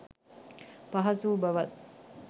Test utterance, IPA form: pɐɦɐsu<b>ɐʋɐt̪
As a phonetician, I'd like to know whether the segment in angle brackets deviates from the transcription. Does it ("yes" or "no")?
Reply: no